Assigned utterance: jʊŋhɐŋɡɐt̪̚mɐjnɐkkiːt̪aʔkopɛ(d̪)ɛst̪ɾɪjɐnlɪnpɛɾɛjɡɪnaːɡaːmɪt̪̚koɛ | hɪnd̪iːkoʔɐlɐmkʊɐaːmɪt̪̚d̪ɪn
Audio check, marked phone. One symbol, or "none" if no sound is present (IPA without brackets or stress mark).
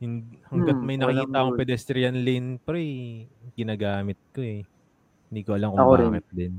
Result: d̪